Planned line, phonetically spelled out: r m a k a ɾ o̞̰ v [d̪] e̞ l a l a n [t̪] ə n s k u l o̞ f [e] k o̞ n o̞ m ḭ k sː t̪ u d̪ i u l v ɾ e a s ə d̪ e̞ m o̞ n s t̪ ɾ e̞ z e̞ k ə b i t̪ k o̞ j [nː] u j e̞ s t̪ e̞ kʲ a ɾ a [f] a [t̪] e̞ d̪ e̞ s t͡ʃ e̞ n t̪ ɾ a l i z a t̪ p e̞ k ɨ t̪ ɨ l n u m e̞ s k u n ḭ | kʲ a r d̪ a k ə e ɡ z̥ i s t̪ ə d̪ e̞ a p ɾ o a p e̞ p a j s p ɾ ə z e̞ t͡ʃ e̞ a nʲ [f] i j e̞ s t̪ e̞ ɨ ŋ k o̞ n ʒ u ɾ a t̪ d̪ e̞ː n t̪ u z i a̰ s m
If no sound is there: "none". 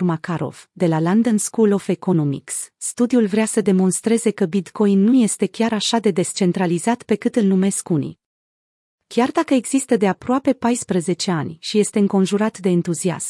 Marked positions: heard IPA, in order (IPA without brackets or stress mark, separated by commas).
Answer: d̪, d̪, e, nː, ʃ, d̪, ʃ